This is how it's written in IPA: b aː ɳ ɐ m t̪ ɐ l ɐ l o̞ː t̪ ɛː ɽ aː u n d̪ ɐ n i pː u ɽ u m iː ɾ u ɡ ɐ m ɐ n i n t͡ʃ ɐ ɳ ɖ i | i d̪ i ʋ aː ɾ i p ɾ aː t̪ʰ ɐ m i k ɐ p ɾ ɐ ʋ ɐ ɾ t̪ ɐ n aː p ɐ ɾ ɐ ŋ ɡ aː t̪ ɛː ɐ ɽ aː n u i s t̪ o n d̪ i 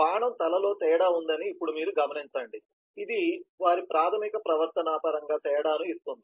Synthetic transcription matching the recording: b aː ɳ ɐ m t̪ ɐ l ɐ l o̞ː t̪ ɛː ɽ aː u n d̪ ɐ n iː pː u ɽ u m iː ɾ u ɡ ɐ m ɐ n i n t͡ʃ ɐ ɳ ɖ i | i d̪ i ʋ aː ɾ i p ɾ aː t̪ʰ ɐ m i k ɐ p ɾ ɐ ʋ ɐ ɾ t̪ ɐ n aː p ɐ ɾ ɐ ŋ ɡ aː t̪ ɛː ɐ ɽ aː n u i s t̪ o n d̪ i